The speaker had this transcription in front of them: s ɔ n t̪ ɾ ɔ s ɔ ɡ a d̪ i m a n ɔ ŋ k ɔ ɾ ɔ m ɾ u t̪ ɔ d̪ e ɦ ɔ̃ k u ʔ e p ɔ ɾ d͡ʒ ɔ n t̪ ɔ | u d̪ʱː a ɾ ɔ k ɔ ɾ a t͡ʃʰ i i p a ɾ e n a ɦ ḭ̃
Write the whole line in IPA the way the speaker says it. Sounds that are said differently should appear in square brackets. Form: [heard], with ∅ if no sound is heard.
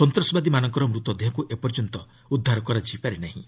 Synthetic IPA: s ɔ n t̪ ɾ ɔ s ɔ [b] a d̪ i m a n ɔ ŋ k ɔ ɾ ɔ m ɾ u t̪ ɔ d̪ e ɦ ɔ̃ k u ʔ e p ɔ ɾ d͡ʒ ɔ n t̪ ɔ | u d̪ʱː a ɾ ɔ k ɔ ɾ a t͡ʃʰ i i p a ɾ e n a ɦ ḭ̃